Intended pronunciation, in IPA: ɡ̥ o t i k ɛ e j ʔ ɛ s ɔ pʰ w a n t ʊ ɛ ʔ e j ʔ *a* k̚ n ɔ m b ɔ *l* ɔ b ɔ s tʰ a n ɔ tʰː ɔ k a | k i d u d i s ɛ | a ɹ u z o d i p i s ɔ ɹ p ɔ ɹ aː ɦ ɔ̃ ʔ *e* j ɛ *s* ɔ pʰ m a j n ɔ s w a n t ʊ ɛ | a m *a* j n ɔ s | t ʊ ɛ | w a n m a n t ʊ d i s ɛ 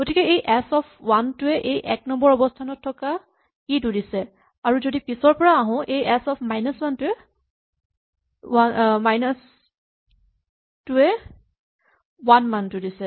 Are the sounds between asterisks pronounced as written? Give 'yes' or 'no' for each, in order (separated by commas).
no, no, yes, yes, yes